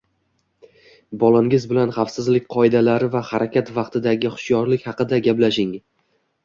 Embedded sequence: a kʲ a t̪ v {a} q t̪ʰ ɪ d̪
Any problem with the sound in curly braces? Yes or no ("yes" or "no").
yes